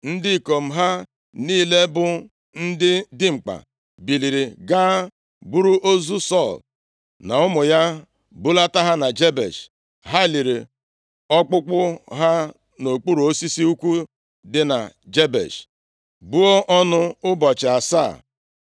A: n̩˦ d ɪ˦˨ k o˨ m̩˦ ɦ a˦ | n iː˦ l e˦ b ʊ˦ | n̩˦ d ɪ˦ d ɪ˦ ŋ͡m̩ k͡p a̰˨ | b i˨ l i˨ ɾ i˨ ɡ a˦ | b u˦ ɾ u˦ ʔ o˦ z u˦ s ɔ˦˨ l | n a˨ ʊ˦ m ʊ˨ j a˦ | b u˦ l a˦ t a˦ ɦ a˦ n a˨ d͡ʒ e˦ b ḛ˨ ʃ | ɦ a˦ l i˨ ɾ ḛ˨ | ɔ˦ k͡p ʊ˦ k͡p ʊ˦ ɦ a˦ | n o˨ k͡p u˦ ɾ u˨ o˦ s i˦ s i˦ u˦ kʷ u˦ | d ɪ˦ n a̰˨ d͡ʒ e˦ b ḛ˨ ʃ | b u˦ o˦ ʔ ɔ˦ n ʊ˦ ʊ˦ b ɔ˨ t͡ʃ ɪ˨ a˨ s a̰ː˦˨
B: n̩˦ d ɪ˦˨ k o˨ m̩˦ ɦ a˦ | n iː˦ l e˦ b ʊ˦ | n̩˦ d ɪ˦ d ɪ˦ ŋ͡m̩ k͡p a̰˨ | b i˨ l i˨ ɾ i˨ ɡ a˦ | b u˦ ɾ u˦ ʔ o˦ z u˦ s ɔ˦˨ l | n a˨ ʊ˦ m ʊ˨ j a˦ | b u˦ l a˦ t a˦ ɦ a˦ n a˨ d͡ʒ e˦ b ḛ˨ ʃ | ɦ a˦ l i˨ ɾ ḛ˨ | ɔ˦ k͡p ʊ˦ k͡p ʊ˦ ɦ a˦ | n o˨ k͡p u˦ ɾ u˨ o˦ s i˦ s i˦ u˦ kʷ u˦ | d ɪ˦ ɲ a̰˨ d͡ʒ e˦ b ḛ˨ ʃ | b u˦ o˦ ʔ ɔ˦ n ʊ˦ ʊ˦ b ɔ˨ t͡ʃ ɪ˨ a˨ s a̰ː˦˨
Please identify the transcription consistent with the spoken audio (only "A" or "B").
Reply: A